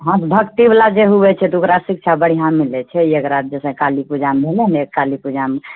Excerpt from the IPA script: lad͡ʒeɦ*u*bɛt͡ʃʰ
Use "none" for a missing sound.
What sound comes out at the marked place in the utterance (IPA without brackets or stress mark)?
u